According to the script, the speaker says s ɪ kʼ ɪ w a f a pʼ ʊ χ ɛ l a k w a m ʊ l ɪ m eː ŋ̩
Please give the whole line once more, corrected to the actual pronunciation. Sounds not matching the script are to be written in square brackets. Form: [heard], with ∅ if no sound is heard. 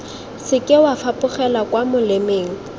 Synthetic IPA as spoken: s ɪ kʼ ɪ w a f a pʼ ʊ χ ɛ l a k w a m ʊ l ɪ m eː ŋ̩